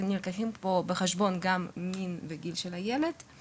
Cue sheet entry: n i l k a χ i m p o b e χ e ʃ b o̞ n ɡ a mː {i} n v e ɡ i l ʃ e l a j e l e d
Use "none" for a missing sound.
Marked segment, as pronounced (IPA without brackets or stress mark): i